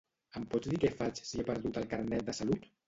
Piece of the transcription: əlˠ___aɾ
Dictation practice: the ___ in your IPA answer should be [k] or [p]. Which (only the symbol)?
k